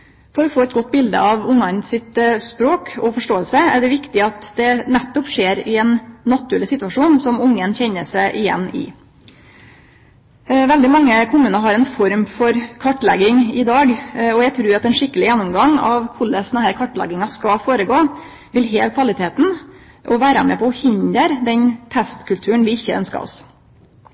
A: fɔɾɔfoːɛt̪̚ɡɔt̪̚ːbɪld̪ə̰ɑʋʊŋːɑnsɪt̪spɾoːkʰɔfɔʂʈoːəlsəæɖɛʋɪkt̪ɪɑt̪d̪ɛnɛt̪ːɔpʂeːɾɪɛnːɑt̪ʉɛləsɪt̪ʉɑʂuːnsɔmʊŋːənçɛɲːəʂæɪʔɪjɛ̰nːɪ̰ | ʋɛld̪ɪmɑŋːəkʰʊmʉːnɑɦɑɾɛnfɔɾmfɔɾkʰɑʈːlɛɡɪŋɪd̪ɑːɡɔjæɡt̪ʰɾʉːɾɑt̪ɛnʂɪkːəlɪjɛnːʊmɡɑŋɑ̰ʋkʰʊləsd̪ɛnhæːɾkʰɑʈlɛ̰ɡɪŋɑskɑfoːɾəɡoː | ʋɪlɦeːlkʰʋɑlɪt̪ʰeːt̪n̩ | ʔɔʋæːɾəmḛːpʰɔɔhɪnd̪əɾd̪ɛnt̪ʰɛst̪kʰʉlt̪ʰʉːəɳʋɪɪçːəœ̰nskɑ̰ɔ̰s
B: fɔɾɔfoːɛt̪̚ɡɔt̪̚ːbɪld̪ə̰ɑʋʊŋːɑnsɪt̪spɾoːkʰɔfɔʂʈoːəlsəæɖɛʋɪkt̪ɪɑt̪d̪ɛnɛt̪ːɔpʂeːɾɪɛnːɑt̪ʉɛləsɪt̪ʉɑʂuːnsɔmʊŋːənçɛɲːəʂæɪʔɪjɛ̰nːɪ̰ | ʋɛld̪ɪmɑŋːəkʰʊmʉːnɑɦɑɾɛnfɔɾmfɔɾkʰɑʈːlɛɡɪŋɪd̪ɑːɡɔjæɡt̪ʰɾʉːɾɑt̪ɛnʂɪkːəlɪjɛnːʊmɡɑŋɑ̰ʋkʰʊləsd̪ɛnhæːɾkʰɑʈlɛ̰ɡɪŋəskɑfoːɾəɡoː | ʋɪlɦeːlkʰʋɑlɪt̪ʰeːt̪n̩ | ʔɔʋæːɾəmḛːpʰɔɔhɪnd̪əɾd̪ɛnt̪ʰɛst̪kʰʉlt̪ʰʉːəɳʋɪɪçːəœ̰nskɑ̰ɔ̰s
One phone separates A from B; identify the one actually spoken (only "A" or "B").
A